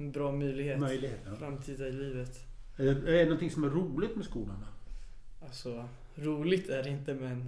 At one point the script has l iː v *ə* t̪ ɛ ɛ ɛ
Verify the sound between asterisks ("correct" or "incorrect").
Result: correct